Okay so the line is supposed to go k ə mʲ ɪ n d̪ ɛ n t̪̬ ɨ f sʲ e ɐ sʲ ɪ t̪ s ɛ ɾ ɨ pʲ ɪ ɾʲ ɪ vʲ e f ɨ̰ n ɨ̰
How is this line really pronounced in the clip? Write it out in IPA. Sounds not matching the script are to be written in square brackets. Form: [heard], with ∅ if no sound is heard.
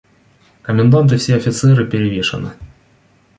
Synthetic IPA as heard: k ə mʲ ɪ n d̪ [a] n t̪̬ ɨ f sʲ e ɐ [fʲ] ɪ t̪ s ɛ ɾ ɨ pʲ ɪ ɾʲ ɪ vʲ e [ʂ] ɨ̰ n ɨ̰